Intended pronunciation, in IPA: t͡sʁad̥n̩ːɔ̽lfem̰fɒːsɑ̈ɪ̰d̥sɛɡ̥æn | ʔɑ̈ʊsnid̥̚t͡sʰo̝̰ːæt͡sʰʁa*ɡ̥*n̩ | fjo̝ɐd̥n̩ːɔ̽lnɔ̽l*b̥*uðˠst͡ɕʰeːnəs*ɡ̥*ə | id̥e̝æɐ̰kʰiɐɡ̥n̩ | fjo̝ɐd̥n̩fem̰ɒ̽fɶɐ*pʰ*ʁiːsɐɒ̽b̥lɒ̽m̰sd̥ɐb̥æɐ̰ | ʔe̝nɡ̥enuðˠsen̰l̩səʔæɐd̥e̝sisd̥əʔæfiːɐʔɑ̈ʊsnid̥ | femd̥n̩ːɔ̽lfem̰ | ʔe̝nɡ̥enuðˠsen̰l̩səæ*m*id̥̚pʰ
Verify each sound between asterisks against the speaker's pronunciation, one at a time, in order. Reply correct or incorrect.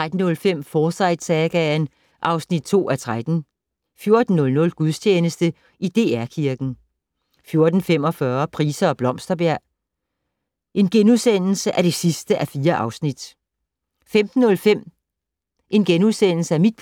incorrect: d̥, incorrect: ɡ̥, incorrect: d̥, correct, correct

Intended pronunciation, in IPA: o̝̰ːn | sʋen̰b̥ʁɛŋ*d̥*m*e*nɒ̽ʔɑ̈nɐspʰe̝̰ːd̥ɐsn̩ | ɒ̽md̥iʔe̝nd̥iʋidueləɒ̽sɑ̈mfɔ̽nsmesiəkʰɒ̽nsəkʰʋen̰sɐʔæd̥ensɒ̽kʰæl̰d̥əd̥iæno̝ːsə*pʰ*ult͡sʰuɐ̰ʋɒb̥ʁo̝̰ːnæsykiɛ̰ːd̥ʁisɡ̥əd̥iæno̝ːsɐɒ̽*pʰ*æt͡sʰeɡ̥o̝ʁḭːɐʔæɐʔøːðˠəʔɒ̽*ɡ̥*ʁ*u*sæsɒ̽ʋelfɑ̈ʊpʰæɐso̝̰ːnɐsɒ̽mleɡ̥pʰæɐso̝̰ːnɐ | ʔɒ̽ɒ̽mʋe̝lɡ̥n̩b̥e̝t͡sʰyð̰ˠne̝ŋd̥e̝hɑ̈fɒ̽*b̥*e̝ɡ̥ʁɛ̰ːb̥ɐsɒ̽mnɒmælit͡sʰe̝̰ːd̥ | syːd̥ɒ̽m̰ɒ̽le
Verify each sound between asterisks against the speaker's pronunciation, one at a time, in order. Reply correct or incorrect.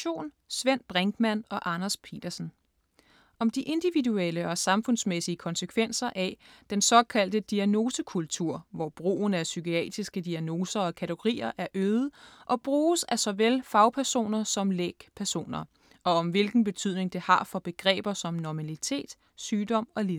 incorrect: ɡ̥, incorrect: æ, incorrect: kʰ, incorrect: kʰ, incorrect: b̥, incorrect: uː, correct

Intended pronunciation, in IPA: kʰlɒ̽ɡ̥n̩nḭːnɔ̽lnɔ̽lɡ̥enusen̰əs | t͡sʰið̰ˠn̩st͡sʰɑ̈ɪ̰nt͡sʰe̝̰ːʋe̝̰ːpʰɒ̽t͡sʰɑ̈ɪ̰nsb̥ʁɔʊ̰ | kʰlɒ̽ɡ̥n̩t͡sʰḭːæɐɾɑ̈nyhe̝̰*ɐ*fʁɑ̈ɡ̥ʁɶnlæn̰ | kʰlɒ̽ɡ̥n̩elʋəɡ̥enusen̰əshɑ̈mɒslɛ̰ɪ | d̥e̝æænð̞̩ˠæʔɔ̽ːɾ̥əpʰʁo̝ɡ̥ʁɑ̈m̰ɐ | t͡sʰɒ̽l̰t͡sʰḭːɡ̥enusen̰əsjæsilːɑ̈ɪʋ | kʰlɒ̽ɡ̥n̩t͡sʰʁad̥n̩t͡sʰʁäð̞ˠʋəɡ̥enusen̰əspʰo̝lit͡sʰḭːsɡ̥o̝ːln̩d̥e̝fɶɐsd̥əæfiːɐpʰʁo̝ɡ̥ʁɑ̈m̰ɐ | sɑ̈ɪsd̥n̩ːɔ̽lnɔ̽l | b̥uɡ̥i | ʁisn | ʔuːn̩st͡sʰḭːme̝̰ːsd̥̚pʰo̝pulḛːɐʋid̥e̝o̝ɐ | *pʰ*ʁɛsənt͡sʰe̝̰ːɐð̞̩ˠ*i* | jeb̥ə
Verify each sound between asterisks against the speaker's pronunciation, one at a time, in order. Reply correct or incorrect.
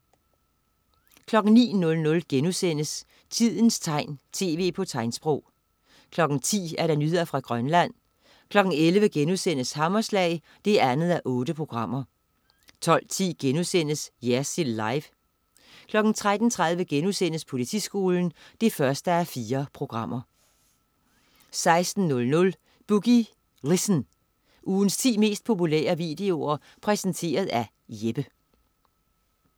correct, correct, incorrect: æ

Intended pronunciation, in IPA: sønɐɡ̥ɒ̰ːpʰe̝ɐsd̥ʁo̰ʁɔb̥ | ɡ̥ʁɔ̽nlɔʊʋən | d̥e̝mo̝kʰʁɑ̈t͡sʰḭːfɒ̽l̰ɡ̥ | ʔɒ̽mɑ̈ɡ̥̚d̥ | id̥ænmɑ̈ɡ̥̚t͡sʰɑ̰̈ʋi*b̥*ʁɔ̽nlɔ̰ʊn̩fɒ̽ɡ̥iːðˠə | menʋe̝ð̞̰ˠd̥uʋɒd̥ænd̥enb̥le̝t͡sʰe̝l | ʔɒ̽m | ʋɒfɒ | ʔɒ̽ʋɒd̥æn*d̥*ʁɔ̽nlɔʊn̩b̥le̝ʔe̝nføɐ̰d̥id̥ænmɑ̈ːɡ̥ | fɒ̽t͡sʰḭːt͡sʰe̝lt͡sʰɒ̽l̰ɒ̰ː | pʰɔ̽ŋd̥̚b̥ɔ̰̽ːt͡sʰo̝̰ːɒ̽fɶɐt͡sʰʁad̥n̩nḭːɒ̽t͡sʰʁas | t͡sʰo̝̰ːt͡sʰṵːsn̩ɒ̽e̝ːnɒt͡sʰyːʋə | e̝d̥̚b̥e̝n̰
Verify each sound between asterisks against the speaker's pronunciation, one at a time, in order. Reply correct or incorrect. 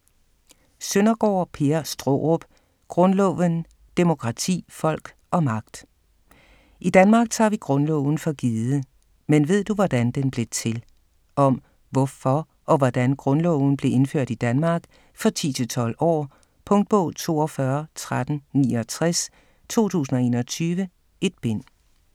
incorrect: ɡ̥, incorrect: ɡ̥

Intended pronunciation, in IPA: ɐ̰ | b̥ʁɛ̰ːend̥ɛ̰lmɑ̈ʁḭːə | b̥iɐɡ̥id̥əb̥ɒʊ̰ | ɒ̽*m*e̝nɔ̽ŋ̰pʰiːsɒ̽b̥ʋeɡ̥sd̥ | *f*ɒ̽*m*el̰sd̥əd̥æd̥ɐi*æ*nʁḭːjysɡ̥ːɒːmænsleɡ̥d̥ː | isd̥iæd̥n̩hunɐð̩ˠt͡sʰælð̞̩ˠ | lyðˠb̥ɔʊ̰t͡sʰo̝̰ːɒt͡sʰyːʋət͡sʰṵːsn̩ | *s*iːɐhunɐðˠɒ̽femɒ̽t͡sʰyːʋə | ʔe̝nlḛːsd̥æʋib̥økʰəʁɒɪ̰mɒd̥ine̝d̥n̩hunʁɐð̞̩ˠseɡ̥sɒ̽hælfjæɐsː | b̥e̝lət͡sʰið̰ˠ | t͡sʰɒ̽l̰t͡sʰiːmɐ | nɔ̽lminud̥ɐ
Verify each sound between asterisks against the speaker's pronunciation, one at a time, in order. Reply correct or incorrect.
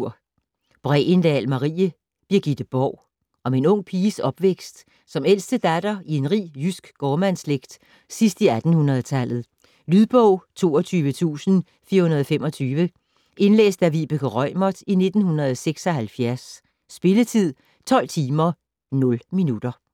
correct, incorrect: s, correct, incorrect: e, incorrect: f

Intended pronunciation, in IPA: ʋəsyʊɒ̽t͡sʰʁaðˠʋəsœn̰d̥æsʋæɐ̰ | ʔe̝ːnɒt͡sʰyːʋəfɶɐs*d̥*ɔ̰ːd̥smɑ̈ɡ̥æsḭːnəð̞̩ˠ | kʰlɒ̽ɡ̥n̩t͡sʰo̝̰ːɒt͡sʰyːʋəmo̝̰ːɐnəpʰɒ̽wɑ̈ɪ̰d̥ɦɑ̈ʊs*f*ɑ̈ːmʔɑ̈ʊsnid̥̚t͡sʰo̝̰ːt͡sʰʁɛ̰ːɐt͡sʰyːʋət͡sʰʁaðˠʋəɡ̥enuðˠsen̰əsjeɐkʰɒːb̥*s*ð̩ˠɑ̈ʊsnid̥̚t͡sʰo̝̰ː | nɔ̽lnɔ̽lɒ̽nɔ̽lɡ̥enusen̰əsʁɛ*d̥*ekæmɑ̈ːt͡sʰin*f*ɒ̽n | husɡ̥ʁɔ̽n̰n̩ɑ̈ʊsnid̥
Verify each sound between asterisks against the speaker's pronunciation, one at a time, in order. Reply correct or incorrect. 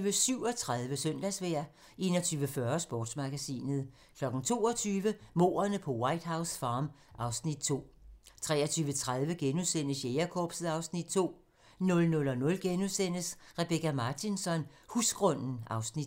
incorrect: b̥, correct, correct, incorrect: b̥, incorrect: s

